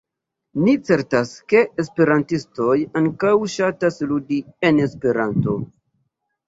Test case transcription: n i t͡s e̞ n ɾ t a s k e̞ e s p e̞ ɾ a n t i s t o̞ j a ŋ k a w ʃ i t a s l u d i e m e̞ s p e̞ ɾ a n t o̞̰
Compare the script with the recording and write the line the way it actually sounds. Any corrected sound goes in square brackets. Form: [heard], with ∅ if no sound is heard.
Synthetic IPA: n i t͡s e̞ [∅] ɾ t a s k e̞ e s p e̞ ɾ a n t i s t o̞ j a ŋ k a w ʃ [a] t a s l u d i e [n] e̞ s p e̞ ɾ a n t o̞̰